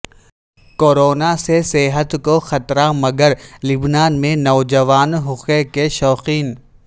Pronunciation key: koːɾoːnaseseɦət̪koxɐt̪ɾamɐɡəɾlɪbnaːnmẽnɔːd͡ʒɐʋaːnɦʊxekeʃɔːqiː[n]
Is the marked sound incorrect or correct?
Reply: correct